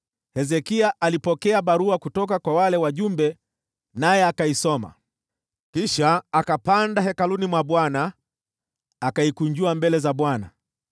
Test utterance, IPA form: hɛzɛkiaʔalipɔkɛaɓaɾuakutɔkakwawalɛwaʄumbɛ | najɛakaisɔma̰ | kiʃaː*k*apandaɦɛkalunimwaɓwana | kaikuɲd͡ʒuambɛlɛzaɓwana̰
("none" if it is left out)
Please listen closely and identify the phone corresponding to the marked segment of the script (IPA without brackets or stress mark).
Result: k